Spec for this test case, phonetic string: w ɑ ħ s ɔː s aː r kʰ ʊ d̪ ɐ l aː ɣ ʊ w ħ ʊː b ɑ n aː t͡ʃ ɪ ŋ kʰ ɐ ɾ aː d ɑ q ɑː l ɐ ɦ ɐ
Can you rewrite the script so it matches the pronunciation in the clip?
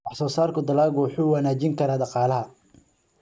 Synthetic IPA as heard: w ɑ ħ s ɔː s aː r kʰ ʊ d̪ ɐ l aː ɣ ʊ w ħ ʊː w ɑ n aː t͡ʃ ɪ ŋ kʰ ɐ ɾ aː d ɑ q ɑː l ɐ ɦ ɐ